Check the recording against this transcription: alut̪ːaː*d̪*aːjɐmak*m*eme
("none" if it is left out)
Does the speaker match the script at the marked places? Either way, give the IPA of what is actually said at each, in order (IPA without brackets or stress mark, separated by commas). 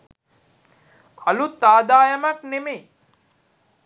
d̪, n